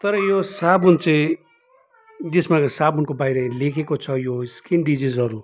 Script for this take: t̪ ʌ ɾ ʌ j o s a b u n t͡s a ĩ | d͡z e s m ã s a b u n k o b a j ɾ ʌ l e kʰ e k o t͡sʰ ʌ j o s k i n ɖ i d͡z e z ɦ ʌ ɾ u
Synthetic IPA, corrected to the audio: t̪ ʌ ɾ ʌ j o s a b u n t͡s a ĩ | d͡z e s m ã s a b u n k o b a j ɾ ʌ l e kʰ e k o t͡sʰ ʌ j o s k i n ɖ i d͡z i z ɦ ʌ ɾ u